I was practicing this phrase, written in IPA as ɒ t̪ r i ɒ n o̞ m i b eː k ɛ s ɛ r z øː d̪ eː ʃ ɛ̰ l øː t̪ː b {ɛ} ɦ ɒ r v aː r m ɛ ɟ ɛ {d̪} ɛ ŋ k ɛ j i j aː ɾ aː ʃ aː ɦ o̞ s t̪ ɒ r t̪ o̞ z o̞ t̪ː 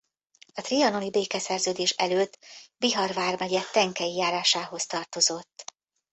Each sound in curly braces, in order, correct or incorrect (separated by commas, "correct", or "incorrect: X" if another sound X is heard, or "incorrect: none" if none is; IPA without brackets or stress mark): incorrect: i, incorrect: t̪